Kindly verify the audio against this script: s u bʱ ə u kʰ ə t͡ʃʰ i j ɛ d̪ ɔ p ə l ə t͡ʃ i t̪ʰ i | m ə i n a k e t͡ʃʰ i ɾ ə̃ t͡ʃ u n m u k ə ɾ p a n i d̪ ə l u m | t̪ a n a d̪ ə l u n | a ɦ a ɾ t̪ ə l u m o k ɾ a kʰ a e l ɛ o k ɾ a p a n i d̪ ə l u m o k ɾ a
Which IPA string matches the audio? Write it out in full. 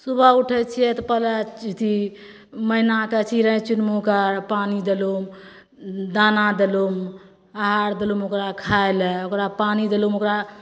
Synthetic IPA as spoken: s u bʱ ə u ʈʰ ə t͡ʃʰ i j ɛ t̪ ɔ p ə l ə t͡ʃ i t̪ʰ i | m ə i n a k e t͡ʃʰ i ɾ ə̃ t͡ʃ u n m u k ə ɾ p a n i d̪ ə l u m | d̪ a n a d̪ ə l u m | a ɦ a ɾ d̪ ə l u m o k ɾ a kʰ a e l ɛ o k ɾ a p a n i d̪ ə l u m o k ɾ a